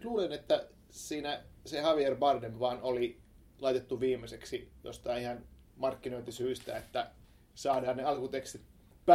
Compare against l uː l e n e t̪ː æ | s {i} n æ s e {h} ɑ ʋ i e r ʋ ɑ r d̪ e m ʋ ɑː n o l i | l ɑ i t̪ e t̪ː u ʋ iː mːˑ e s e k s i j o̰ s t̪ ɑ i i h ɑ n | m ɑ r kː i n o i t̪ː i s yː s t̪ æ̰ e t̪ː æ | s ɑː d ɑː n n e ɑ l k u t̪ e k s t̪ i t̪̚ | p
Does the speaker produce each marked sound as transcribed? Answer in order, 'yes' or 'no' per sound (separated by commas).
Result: no, yes